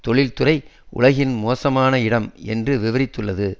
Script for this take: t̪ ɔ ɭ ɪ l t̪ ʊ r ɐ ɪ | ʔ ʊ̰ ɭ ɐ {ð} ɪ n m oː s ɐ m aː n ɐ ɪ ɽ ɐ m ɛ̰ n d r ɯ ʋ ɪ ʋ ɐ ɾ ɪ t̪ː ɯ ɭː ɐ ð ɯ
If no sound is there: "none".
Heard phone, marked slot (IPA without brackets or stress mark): ɣ